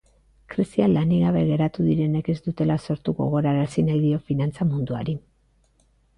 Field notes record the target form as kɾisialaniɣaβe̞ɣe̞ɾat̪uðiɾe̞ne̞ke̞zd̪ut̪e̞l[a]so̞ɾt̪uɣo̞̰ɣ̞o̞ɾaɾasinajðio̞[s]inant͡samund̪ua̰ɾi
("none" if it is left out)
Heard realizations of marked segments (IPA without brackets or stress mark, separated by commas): a, f